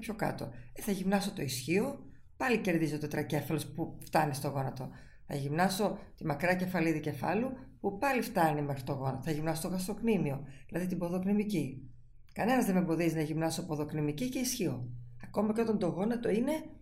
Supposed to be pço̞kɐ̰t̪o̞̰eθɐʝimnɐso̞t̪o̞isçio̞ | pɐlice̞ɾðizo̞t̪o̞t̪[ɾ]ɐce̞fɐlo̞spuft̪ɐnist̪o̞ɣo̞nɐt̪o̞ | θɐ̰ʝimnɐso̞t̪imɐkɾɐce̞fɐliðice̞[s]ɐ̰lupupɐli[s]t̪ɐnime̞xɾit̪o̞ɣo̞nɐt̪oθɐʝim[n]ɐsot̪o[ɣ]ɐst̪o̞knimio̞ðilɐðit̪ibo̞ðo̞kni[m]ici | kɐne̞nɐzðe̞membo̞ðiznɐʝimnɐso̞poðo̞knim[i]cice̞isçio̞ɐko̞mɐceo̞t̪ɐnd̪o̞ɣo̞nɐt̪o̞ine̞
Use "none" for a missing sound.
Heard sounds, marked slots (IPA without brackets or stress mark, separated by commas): ɾ, f, f, n, ɣ, m, i